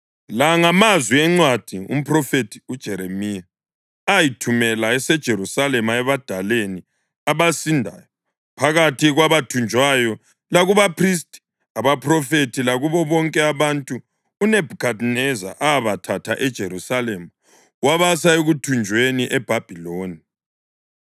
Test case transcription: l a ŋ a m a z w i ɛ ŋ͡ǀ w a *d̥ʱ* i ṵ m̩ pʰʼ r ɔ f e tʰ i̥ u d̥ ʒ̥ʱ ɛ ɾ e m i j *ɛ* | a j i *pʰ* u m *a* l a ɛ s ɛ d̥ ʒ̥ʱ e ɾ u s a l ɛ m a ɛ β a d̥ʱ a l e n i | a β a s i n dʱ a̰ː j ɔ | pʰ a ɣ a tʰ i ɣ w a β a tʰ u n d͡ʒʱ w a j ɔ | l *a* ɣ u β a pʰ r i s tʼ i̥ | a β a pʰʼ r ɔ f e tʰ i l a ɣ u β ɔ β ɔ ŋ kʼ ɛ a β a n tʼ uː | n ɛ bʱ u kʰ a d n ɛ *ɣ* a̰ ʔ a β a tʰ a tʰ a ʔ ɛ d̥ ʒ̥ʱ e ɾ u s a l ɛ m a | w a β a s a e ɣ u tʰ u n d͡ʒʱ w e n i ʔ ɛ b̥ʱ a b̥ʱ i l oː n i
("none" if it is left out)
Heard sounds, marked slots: d̥ʱ, a, tʰ, ɛ, a, z

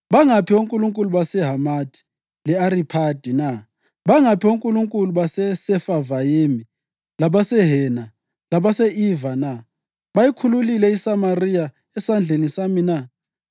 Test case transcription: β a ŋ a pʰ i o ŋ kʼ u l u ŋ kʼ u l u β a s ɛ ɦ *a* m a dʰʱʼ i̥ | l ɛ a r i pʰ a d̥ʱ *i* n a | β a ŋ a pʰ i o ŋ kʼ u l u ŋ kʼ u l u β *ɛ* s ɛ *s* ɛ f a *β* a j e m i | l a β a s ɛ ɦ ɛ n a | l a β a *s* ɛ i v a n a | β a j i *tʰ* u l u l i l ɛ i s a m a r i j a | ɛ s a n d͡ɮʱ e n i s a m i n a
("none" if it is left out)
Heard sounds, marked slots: a, i, a, s, v, s, kʰ

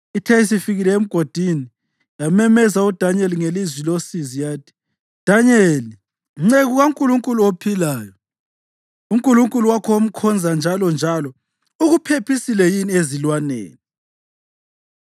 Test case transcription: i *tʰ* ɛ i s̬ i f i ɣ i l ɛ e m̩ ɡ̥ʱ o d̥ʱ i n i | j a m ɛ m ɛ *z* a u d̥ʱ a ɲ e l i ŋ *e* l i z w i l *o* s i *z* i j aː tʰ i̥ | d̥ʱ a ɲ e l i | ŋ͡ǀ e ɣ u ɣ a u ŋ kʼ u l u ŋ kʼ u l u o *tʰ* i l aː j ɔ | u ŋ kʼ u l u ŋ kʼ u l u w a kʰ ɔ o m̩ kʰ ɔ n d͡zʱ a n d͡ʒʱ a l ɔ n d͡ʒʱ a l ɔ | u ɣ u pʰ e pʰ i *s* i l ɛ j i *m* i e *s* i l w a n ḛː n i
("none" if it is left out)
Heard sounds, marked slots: tʰ, z, e, o, z, pʰ, s, n, z

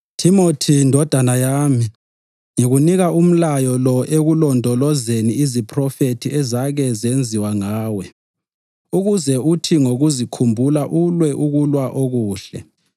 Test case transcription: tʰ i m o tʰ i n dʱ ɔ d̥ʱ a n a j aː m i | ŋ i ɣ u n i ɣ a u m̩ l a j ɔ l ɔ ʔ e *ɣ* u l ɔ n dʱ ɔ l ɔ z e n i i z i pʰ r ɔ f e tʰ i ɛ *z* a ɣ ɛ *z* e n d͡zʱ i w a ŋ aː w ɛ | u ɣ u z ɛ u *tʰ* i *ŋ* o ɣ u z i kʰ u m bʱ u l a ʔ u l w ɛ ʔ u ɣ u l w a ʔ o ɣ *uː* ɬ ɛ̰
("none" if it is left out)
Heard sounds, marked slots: ɣ, z, z, tʰ, ŋ, uː

